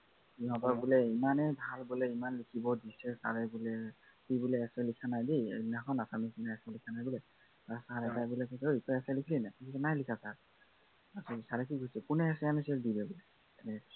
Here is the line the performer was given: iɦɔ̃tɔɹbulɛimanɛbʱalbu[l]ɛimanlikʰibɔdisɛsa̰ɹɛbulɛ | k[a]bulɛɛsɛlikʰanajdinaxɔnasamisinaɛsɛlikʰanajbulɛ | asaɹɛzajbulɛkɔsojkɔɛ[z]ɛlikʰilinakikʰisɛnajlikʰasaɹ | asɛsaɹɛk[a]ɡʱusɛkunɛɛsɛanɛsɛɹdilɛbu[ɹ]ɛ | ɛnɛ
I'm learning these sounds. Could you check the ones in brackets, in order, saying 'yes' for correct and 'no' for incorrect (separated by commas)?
yes, no, no, no, no